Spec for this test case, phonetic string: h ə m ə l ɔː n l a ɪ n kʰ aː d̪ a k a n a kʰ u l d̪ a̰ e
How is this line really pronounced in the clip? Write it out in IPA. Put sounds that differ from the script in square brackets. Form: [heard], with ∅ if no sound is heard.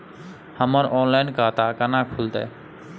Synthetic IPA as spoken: h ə m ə [ɾ] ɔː n l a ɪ n [k] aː [t̪] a k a n a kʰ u l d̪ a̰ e